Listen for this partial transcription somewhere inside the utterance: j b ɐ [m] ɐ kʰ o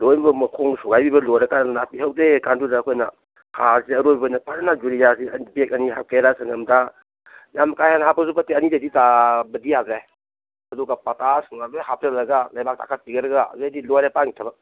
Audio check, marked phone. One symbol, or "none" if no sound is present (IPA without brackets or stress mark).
m